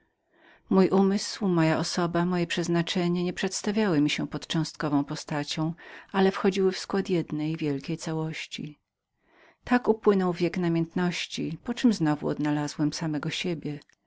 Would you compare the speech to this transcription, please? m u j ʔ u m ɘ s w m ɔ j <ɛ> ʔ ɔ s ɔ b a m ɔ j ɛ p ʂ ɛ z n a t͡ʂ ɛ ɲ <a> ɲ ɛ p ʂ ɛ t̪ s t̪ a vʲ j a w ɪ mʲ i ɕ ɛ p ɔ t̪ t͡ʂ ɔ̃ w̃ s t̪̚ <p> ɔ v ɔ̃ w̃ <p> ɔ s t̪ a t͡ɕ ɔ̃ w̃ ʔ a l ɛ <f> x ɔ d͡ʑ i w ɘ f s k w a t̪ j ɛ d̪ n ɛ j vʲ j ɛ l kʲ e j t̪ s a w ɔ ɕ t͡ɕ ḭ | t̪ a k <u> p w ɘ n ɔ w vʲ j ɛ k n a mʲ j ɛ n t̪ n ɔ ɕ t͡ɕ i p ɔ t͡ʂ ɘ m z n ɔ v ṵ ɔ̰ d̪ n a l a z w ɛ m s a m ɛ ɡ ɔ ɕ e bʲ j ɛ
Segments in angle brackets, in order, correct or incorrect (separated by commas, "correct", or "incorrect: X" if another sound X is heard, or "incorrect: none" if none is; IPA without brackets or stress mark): incorrect: a, incorrect: ɛ, incorrect: k, correct, correct, correct